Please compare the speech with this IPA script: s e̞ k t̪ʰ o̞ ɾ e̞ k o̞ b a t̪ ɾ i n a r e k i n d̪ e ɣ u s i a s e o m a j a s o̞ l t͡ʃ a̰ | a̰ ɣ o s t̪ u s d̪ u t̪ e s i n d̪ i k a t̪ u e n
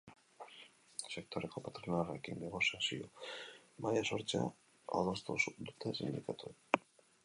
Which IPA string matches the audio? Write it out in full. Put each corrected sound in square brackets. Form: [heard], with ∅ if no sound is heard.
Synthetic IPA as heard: s e̞ k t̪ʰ o̞ ɾ e̞ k o̞ [p] a t̪ ɾ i n a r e k i n d̪ e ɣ [o] s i a s [i] o m a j a s o̞ [ɾ] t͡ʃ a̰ | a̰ [ð] o s t̪ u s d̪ u t̪ e s i n d̪ i k a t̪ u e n